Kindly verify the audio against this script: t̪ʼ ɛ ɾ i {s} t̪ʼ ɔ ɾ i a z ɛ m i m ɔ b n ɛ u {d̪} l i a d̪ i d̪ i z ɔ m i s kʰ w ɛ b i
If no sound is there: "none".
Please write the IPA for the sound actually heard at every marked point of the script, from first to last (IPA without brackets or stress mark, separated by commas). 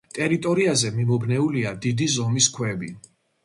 none, none